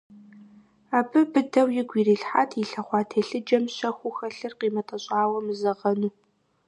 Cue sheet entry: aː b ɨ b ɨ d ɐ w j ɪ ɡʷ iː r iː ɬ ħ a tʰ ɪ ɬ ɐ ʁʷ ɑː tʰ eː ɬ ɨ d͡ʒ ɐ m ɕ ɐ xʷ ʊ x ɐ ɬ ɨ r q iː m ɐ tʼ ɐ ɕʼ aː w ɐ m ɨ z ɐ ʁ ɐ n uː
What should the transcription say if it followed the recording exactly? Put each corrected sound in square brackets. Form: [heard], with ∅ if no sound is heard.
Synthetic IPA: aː b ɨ b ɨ d ɐ w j ɪ ɡʷ iː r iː ɬ ħ a tʰ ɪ ɬ ɐ [χʷ] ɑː tʰ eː ɬ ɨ d͡ʒ ɐ m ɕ ɐ xʷ ʊ x ɐ ɬ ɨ r q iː m ɐ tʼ ɐ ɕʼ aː w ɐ m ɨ z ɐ ʁ ɐ n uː